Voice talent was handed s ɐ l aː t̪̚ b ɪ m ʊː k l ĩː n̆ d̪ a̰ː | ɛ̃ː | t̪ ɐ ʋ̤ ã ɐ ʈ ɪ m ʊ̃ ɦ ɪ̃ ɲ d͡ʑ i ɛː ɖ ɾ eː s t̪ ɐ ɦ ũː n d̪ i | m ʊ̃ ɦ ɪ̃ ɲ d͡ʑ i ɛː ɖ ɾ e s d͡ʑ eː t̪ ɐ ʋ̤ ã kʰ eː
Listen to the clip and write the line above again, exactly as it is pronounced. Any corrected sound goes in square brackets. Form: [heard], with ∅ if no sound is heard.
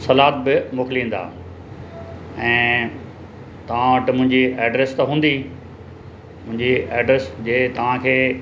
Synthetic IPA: s ɐ l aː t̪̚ b ɪ m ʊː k l ĩː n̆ d̪ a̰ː | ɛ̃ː | t̪ ɐ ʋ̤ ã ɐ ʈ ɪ m ʊ̃ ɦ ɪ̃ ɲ d͡ʑ i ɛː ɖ ɾ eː s t̪ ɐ ɦ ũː n d̪ i | m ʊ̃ ɦ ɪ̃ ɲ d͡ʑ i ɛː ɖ ɾ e s d͡ʑ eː t̪ ɐ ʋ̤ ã kʰ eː